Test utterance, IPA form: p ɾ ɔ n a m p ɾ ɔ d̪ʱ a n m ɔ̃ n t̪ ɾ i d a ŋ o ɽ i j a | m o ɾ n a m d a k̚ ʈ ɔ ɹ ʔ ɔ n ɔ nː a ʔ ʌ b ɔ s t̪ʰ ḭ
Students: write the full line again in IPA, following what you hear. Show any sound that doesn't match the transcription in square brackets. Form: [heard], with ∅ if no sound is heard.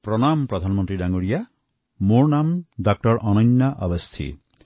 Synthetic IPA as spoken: p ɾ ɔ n a m p ɾ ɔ d̪ʱ a n m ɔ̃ n t̪ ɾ i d a ŋ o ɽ i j a | m o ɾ n a m d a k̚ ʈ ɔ [ɾ] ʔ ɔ n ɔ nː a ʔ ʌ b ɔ s t̪ʰ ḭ